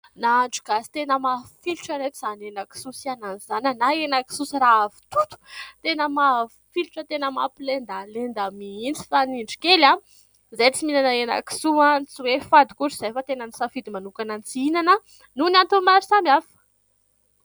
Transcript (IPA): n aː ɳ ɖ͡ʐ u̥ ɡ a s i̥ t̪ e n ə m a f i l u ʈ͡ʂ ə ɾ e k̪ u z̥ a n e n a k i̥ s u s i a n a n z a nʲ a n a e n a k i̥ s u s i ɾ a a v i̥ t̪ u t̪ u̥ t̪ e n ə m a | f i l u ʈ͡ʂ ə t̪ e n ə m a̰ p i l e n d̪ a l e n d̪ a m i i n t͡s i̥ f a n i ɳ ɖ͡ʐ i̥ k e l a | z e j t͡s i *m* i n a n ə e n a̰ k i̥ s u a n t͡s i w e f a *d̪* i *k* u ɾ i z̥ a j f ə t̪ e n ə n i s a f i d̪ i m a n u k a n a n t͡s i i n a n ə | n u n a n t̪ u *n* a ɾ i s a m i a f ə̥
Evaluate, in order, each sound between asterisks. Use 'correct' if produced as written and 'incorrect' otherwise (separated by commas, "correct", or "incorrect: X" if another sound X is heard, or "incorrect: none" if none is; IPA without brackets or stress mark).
correct, correct, correct, incorrect: m